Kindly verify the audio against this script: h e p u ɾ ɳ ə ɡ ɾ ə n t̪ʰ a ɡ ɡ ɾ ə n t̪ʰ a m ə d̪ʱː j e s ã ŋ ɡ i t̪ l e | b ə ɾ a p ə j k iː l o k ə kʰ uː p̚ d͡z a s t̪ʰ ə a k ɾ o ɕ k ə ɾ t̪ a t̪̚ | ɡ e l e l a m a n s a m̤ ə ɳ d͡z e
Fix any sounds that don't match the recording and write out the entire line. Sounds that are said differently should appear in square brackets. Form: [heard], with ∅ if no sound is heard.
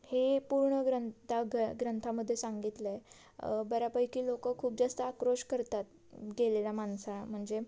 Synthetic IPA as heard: h e p u ɾ ɳ ə ɡ ɾ ə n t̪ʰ a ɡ ɡ ɾ ə n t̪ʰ a m ə d̪ʱː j e s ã ŋ ɡ i t̪ l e | b ə ɾ a p ə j k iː l o k ə kʰ uː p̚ d͡z a s [t̪] ə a k ɾ o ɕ k ə ɾ t̪ a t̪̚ | ɡ e l e l a m a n s a m̤ ə ɳ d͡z e